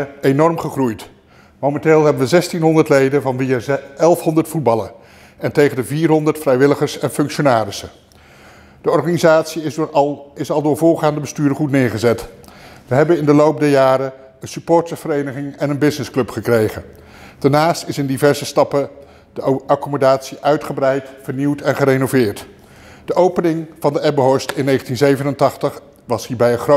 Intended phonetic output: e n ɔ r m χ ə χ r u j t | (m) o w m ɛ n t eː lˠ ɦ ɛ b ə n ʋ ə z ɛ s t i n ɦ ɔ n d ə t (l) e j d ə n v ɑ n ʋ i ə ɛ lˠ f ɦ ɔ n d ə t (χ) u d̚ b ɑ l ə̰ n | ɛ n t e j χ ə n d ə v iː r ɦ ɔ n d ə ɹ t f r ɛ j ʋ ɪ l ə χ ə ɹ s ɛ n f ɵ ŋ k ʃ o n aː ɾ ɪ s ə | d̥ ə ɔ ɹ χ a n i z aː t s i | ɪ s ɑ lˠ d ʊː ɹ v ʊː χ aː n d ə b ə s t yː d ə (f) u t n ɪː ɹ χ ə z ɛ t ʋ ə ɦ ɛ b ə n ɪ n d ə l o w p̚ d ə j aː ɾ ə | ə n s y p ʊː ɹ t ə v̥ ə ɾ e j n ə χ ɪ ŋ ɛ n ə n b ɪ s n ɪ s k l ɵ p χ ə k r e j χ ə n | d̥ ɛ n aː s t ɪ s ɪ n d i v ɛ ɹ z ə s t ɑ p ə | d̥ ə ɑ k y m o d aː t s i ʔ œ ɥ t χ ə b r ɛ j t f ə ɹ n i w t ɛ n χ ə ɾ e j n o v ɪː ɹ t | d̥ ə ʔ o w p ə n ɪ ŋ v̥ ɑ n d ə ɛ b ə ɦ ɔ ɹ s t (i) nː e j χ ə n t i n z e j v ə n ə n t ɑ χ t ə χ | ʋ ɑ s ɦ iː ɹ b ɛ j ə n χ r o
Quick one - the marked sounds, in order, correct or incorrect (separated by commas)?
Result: correct, correct, incorrect, incorrect, incorrect